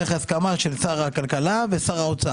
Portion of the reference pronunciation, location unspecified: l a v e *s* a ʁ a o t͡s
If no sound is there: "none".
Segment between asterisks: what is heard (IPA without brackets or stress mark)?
s